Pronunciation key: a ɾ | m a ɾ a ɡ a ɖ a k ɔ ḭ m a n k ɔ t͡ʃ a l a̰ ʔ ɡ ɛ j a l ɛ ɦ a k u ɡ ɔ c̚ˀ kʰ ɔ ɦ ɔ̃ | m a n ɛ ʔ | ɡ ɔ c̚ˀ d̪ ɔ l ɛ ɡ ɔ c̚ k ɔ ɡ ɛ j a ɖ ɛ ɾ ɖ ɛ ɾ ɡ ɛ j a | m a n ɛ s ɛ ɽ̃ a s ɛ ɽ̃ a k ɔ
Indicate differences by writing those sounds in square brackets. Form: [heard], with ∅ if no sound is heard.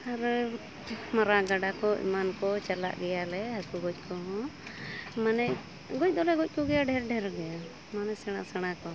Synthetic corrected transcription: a ɾ | m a ɾ a ɡ a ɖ a k ɔ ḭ m a n k ɔ t͡ʃ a l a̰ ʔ ɡ ɛ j a l ɛ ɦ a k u ɡ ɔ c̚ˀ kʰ ɔ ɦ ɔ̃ | m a n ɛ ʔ | ɡ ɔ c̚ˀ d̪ ɔ l ɛ ɡ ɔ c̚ k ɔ ɡ ɛ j a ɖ ɛ ɾ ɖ ɛ ɾ ɡ ɛ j a | m a n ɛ s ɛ ɽ̃ a s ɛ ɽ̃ a k ɔ